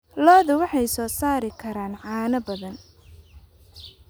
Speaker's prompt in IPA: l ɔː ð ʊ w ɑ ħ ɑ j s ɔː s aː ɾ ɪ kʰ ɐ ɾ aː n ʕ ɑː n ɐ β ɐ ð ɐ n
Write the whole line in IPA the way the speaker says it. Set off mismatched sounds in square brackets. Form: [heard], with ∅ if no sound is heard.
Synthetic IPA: l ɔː ð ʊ w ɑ ħ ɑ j s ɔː s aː ɾ ɪ kʰ ɐ ɾ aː n ʕ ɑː n ɐ [b] ɐ ð ɐ n